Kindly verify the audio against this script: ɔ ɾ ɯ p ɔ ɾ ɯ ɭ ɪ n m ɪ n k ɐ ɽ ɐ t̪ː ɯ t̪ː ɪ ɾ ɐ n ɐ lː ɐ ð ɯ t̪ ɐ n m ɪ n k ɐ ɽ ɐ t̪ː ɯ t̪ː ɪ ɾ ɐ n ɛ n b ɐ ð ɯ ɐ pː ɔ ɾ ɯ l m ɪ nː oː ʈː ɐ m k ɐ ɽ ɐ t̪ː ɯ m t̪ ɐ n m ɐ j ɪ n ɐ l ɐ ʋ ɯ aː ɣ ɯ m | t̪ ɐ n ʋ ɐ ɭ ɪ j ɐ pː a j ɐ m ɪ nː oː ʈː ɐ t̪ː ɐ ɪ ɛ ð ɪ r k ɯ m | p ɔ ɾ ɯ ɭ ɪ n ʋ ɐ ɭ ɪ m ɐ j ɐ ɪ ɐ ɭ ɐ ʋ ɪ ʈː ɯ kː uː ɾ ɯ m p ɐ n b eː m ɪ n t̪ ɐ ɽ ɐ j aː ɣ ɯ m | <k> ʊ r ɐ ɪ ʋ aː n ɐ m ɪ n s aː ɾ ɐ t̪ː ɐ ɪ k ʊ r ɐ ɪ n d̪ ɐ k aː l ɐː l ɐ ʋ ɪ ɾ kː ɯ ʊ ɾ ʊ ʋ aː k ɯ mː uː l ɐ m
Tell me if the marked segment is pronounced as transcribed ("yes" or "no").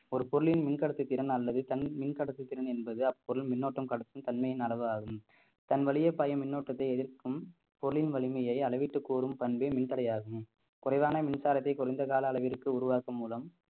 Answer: yes